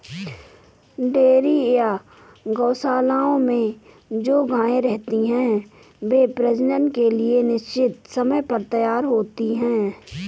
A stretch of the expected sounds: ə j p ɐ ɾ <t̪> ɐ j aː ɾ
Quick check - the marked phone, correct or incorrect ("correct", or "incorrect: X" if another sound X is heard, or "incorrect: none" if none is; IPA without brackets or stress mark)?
correct